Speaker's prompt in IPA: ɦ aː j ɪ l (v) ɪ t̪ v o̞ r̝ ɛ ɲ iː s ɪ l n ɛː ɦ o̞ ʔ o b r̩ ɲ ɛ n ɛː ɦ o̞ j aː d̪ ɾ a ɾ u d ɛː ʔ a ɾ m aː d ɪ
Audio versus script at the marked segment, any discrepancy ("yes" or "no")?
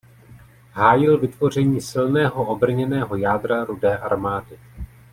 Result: no